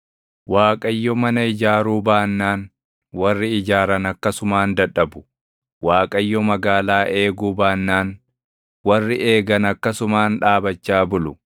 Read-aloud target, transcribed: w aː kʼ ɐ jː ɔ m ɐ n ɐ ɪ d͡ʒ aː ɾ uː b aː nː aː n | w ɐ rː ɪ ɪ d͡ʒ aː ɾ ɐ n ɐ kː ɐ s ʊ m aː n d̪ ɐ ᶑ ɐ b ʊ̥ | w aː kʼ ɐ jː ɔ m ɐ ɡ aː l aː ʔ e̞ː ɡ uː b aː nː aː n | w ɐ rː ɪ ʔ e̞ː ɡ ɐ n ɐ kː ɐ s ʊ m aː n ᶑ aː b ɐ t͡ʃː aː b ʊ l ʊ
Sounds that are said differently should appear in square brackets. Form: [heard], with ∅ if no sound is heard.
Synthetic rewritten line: w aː kʼ ɐ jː ɔ m ɐ n ɐ ɪ d͡ʒ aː ɾ uː b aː nː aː n | w ɐ rː ɪ ɪ d͡ʒ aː ɾ ɐ n ɐ kː ɐ s ʊ m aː n d̪ ɐ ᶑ ɐ b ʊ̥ | w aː kʼ ɐ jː ɔ m ɐ ɡ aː l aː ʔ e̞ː ɡ uː b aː nː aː n | w ɐ rː ɪ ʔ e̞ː ɡ ɐ n ɐ kː ɐ s ʊ m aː n ᶑ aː b ɐ t͡ʃː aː b ʊ l ʊ